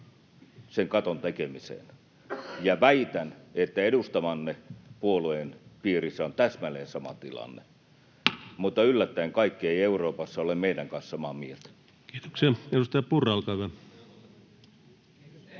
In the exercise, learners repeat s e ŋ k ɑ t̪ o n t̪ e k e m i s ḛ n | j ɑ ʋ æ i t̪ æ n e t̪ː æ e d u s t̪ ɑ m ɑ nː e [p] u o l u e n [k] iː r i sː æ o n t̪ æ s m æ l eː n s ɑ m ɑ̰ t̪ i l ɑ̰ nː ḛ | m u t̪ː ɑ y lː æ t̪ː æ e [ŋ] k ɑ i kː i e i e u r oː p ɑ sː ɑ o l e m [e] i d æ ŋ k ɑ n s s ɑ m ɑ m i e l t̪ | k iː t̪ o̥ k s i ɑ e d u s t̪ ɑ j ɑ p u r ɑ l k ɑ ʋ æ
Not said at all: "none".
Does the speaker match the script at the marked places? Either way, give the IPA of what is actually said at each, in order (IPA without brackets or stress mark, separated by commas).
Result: p, p, ŋ, e